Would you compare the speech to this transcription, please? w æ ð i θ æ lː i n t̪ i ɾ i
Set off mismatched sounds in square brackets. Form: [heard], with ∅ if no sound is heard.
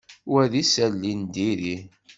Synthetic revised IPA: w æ ð i [s] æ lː i n [d̪] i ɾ i